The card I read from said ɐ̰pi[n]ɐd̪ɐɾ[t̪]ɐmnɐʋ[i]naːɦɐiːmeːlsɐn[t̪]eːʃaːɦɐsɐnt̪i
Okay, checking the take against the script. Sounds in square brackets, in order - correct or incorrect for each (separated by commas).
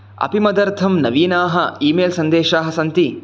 incorrect, incorrect, incorrect, incorrect